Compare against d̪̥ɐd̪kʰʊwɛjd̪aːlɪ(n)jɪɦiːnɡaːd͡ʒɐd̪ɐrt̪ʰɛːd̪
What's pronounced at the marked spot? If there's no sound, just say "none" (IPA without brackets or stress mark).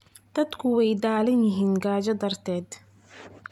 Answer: n